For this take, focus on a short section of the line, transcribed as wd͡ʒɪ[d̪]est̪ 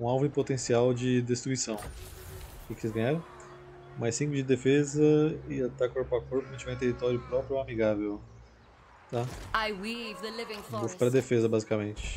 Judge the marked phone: correct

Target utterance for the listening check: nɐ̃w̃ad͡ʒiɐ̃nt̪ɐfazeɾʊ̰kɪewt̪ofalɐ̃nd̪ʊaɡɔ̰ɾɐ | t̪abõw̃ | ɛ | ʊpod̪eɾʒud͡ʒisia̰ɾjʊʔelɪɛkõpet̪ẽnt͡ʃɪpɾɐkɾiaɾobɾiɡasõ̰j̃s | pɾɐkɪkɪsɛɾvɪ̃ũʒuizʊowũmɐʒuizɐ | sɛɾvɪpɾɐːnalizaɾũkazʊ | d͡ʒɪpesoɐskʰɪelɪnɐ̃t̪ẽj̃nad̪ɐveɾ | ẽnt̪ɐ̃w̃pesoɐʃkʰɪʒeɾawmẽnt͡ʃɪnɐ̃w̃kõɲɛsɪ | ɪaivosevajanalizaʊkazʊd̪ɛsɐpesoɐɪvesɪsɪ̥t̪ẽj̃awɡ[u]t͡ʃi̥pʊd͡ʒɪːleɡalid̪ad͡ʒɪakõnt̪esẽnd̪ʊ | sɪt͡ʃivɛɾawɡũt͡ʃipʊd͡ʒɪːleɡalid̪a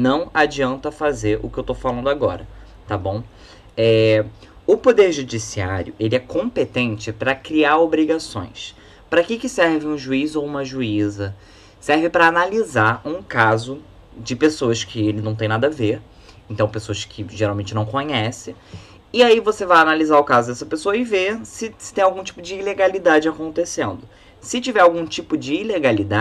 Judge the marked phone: incorrect: ũ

